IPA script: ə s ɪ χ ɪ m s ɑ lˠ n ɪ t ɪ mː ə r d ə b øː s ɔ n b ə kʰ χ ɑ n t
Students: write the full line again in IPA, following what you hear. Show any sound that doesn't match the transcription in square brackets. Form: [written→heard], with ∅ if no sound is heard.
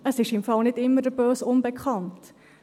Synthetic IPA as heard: ə s ɪ [χ→ʃ] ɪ m [s→f] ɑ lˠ n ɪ t ɪ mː ə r d ə b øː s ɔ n b ə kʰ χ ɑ n t